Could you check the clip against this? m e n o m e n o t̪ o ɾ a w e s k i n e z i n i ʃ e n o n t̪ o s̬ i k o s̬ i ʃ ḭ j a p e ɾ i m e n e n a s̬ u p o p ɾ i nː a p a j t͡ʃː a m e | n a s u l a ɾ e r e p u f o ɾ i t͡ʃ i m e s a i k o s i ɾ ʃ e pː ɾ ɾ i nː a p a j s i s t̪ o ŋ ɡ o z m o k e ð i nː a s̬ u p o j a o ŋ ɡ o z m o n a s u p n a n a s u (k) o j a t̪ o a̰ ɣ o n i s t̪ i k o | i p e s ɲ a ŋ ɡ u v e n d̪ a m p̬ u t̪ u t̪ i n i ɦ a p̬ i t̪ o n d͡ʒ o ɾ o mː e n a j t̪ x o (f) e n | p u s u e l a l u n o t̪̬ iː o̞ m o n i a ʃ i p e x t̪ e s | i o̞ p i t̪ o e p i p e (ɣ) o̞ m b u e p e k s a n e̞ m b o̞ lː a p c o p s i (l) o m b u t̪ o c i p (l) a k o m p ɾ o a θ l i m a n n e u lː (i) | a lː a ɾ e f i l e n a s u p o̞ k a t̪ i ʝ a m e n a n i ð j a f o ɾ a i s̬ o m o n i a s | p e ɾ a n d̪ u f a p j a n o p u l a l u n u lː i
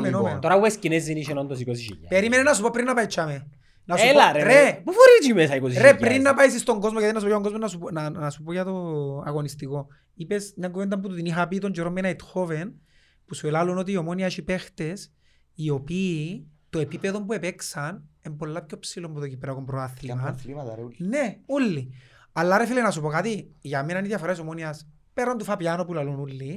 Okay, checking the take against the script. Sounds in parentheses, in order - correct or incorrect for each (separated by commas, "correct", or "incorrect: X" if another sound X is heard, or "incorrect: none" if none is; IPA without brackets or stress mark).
incorrect: p, incorrect: v, incorrect: ð, correct, incorrect: ɾ, correct